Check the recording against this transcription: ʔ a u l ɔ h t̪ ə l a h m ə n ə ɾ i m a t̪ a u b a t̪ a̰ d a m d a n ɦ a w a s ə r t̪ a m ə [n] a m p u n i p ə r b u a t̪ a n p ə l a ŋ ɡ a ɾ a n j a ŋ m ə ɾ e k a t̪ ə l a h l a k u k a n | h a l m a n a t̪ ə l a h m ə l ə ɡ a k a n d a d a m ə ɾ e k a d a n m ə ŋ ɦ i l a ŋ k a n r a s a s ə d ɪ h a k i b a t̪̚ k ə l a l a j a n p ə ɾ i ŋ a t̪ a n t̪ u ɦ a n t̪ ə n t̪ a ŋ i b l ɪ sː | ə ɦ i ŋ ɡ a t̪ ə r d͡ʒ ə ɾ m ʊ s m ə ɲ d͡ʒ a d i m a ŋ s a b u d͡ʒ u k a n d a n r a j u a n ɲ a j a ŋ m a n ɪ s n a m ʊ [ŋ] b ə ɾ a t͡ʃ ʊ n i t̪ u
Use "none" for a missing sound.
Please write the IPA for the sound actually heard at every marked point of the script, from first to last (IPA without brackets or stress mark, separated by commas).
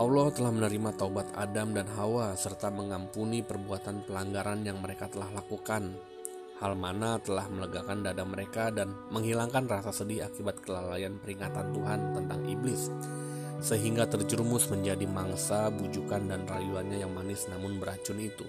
ŋ, n